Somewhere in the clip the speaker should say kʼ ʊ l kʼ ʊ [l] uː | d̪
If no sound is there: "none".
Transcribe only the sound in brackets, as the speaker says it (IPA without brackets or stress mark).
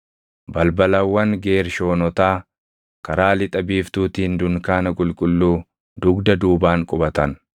lː